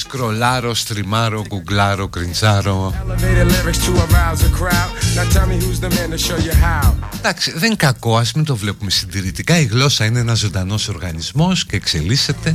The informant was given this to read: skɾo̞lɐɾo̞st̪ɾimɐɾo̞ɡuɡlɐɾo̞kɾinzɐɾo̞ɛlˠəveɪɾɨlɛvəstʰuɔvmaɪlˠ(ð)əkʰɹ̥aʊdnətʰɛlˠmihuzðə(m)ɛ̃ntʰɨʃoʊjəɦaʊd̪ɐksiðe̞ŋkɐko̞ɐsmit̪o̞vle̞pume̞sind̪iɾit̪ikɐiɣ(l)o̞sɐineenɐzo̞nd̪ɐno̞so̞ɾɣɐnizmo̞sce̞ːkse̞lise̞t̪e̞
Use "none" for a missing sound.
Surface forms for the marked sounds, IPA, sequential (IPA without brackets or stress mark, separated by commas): z, m, l